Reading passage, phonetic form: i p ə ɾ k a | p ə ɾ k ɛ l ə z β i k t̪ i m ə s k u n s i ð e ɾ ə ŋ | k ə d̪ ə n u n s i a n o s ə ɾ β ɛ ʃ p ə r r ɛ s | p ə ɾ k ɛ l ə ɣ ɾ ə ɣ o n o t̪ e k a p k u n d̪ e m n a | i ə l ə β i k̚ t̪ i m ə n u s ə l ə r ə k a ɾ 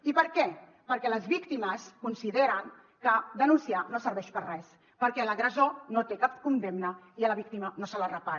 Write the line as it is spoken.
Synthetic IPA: i p ə ɾ k ɛ | p ə ɾ k ɛ l ə z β i k t̪ i m ə s k u n s i ð e ɾ ə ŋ | k ə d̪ ə n u n s i a n o s ə ɾ β ɛ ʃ p ə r r ɛ s | p ə ɾ k ɛ l ə ɣ ɾ ə z o n o t̪ e k a p k u n d̪ e m n ə | i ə l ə β i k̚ t̪ i m ə n o s ə l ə r ə p a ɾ

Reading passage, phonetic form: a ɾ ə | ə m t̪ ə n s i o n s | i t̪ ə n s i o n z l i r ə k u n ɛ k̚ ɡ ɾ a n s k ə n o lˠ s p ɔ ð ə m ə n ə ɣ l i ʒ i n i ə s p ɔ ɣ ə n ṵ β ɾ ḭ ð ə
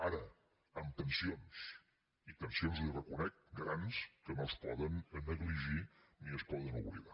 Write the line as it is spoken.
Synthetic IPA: a ɾ ə | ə m t̪ ə n s i o n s | i t̪ ə n s i o n z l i r ə k u n ɛ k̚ ɡ ɾ a n s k ə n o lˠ s p ɔ ð ə n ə n ə ɣ l i ʒ i n i ə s p ɔ ð ə n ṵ β l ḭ ð a

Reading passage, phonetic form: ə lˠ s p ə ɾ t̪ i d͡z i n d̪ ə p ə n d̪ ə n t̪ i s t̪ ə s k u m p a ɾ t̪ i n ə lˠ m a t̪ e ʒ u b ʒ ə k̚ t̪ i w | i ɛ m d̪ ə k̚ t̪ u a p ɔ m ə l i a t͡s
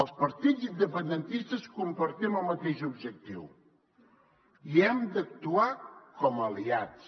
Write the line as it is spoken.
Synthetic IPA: ə lˠ s p ə ɾ t̪ i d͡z i n d̪ ə p ə n d̪ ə n t̪ i s t̪ ə s k u m p ə ɾ t̪ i m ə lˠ m ə t̪ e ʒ u b ʒ ə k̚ t̪ i w | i ɛ m d̪ ə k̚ t̪ u a k ɔ m ə l i a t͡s

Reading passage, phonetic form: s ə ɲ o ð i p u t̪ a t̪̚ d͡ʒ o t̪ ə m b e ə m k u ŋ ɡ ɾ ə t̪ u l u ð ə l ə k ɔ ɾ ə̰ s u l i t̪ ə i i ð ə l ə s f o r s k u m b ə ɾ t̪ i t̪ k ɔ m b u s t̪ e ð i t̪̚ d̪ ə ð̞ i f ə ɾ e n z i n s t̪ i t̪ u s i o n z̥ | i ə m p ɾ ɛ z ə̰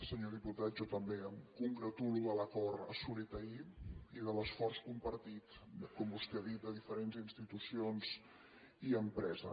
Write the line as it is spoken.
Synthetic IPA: s ə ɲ o ð i p u t̪ a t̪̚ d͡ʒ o t̪ ə m b e ə m k u ŋ ɡ ɾ ə t̪ u l u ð ə l ə k ɔ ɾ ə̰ s u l i t̪ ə i i ð ə l ə s f ɔ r s k u m p ə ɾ t̪ i t̪ k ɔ m b u s t̪ e ð i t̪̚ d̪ ə ð̞ i f ə ɾ e n z i n s t̪ i t̪ u s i o n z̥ | i ə m p ɾ ɛ z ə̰

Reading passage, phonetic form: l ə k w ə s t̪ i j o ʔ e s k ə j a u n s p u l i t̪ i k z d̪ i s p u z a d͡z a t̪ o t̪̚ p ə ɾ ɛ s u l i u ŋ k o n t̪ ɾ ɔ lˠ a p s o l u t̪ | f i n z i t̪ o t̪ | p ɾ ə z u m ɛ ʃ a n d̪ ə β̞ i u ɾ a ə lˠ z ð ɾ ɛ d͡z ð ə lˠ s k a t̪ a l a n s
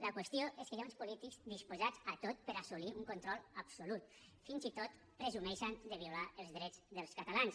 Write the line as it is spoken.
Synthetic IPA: l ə k w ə s t̪ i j o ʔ e s k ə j a u n s p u l i t̪ i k z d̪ i s p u z a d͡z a t̪ o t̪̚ p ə ɾ a s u l i u ŋ k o n t̪ ɾ ɔ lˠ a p s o l u t̪ | f i n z i t̪ o t̪ | p ɾ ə z u m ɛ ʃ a n d̪ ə β̞ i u l a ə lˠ z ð ɾ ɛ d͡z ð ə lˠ s k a t̪ a l a n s

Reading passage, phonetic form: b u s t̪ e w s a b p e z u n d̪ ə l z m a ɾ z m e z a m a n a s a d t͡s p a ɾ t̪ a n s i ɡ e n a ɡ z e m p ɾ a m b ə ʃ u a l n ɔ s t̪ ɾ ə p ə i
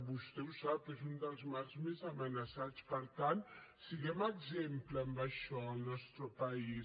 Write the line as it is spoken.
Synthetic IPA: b u s t̪ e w s a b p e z u n d̪ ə l z m a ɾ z m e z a m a n a s a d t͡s p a ɾ t̪ a n s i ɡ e m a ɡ z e m p l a m b a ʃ ɔ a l n ɔ s t̪ ɾ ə p a i

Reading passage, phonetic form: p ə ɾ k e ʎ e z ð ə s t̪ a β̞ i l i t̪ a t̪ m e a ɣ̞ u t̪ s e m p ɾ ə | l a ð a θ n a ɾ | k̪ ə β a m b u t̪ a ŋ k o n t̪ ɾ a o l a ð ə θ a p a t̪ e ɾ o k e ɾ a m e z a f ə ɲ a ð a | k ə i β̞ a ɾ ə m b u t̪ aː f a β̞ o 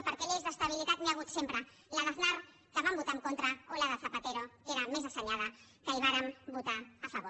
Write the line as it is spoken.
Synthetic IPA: p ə ɾ k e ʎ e z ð ə s t̪ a β̞ i l i t̪ a t̪ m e a ɣ̞ u t̪ s e m p ɾ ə | l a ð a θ n a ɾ | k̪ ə β a m b u t̪ a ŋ k o n t̪ ɾ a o l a ð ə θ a p a t̪ e ɾ o k e ɾ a m e z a s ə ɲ a ð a | k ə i β̞ a ɾ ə m b u t̪ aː f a β̞ o

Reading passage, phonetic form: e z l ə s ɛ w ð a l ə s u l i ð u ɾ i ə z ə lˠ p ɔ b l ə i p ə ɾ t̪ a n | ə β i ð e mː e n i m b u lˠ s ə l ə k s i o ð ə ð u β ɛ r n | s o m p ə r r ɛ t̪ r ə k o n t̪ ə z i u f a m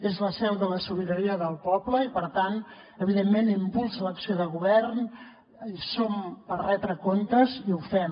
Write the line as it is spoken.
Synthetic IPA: e z l ə s ɛ w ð ə l ə s u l i ð u ɾ i ə ð ə lˠ p ɔ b l ə i p ə ɾ t̪ a n | ə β i ð e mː e n i m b u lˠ s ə l ə k s i o ð ə ɣ u β ɛ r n | s o m p ə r r ɛ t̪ ɾ ə k o n t̪ ə z i u f ɛ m

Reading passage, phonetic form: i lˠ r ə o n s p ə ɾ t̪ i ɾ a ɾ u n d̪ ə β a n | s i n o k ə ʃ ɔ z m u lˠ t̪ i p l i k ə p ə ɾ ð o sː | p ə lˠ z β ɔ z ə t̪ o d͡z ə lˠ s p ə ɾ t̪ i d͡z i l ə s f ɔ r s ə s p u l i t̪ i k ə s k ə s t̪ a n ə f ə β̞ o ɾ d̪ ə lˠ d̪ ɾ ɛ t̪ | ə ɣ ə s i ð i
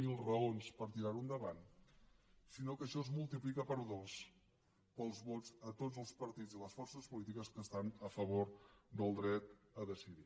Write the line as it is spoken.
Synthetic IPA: i lˠ r ə o n s p ə ɾ t̪ i ɾ a ɾ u n d̪ ə β a n | s i n o k ə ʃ ɔ z m u lˠ t̪ i p l i k ə p ə ɾ ð o s | p ə lˠ z β ɔ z ə t̪ o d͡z ə lˠ s p ə ɾ t̪ i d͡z i l ə s f ɔ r s ə s p u l i t̪ i k ə s k ə s t̪ a n ə f ə β̞ o ɾ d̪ ə lˠ d̪ ɾ ɛ t̪ | ə ð ə s i ð i

